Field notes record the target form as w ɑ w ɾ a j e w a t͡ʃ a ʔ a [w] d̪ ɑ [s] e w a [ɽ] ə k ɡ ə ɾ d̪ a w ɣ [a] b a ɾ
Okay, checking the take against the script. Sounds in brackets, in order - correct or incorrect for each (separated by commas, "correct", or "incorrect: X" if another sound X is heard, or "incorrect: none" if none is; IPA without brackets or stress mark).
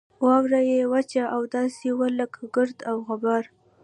correct, correct, incorrect: l, correct